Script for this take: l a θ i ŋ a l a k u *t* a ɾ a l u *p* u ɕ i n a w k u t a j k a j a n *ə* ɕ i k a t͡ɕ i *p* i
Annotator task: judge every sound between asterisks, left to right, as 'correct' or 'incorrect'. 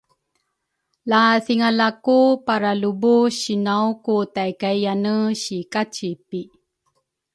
incorrect, incorrect, correct, correct

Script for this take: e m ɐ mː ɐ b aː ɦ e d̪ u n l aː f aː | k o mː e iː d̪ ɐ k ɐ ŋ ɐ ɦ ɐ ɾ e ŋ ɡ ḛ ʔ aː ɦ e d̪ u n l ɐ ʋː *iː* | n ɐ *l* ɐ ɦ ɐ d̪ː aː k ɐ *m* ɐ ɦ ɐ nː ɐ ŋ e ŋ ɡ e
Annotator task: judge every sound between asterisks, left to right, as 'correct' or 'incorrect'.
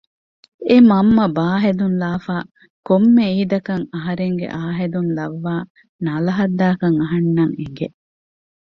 incorrect, correct, incorrect

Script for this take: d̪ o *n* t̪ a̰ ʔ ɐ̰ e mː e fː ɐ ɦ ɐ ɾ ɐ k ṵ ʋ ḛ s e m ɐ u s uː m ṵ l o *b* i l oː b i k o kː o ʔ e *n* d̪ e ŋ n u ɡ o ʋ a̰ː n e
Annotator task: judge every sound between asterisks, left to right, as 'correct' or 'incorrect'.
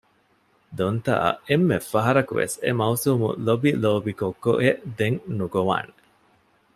correct, correct, incorrect

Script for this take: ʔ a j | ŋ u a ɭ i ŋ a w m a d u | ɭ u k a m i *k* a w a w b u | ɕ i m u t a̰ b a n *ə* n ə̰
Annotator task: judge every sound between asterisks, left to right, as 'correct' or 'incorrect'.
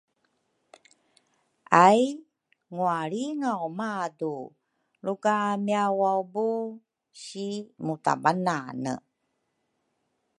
incorrect, incorrect

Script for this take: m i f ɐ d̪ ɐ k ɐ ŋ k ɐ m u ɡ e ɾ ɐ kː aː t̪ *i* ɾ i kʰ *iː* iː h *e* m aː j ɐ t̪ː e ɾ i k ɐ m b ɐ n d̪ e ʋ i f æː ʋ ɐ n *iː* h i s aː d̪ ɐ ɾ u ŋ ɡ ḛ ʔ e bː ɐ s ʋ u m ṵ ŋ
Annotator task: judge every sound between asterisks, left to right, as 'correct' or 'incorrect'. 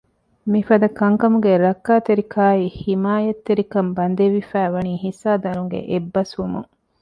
incorrect, incorrect, incorrect, correct

